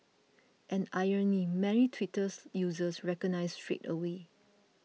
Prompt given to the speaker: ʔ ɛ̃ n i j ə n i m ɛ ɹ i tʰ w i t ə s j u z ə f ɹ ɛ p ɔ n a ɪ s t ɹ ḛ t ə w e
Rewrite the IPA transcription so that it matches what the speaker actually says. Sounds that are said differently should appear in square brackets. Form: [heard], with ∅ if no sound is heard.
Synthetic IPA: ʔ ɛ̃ n [a] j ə n i m ɛ ɹ i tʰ w i t ə s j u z ə [s] ɹ ɛ [k] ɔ n a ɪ s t ɹ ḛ t ə w e